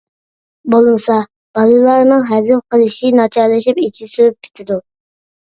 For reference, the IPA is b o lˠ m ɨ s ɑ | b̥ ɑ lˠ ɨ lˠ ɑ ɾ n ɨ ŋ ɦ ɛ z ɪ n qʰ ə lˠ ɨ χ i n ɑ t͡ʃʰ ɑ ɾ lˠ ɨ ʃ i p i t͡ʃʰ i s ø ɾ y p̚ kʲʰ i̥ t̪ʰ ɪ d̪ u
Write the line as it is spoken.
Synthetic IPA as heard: b o lˠ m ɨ s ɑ | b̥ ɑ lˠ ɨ lˠ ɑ ɾ n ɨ ŋ ɦ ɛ z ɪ m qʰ ə lˠ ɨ ʃ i n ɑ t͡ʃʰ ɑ ɾ lˠ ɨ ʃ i p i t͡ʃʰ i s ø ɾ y p̚ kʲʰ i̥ t̪ʰ ɪ d̪ u